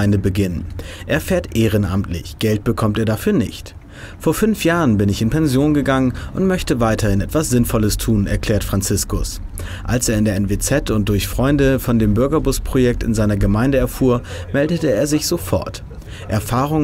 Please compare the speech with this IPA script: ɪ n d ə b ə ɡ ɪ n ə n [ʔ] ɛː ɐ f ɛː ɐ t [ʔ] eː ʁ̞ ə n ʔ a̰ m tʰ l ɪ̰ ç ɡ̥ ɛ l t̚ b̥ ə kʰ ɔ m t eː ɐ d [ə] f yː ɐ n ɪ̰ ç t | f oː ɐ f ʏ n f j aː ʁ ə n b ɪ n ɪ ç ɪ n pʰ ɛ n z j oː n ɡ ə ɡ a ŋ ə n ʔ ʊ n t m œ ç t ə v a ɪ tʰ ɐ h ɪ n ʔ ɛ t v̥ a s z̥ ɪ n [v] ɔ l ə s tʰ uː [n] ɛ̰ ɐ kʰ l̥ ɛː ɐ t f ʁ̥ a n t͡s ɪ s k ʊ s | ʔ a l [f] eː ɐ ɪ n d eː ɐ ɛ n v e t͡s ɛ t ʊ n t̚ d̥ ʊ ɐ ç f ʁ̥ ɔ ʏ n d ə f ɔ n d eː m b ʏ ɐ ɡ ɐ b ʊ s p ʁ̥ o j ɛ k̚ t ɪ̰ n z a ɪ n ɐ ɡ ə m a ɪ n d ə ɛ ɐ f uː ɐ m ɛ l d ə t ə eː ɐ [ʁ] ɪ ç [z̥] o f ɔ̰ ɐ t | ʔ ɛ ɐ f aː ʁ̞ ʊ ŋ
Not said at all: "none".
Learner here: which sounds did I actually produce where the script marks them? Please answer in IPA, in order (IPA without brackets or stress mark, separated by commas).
ʔ, ʔ, a, f, n, s, z, z̥